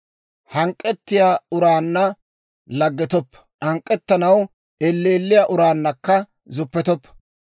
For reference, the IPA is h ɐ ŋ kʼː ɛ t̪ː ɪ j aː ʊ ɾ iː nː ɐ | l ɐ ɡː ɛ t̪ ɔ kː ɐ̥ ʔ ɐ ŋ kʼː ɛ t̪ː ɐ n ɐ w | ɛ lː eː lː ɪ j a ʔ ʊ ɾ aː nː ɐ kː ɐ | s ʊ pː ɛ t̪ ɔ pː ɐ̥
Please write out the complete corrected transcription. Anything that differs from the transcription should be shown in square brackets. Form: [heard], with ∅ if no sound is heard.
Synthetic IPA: h ɐ ŋ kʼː ɛ t̪ː ɪ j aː ʊ ɾ [aː] nː ɐ | l ɐ ɡː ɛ t̪ ɔ [pː] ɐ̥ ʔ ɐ ŋ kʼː ɛ t̪ː ɐ n ɐ w | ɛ lː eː lː ɪ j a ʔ ʊ ɾ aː nː ɐ kː ɐ | [z] ʊ pː ɛ t̪ ɔ pː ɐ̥